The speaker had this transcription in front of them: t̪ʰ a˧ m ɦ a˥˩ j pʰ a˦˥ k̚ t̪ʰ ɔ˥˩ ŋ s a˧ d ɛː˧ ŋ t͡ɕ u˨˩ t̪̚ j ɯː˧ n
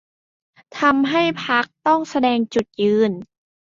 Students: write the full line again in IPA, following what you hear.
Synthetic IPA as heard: t̪ʰ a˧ m ɦ a˥˩ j pʰ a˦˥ k̚ t̪ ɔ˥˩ ŋ s a˧ d ɛː˧ ŋ t͡ɕ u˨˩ t̪̚ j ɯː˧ n